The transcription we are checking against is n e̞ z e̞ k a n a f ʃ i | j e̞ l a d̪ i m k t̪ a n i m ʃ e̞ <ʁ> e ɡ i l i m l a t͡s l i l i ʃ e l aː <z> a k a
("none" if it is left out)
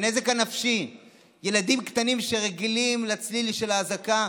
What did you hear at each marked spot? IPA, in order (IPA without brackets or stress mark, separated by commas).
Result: ʁ, z